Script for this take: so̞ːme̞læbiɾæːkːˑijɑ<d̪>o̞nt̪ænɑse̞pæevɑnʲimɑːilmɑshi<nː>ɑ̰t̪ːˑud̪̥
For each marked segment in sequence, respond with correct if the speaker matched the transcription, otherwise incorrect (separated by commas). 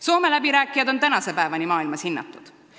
correct, correct